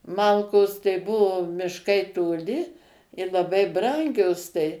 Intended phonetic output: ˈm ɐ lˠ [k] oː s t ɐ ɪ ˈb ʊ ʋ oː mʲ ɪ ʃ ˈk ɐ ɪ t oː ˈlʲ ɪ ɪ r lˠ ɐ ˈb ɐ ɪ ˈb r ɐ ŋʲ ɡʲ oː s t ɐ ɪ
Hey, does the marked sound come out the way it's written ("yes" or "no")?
yes